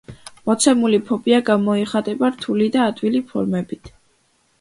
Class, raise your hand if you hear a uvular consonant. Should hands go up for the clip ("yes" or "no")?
yes